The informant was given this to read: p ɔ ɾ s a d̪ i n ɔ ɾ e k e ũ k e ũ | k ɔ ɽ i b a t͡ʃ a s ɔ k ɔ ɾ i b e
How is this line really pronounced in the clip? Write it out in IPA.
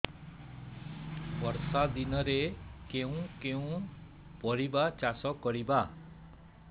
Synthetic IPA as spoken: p ɔ ɾ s a d̪ i n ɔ ɾ e k e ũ k e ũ | p ɔ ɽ i b a t͡ʃ a s ɔ k ɔ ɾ i b a